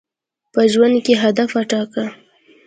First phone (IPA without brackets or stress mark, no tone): p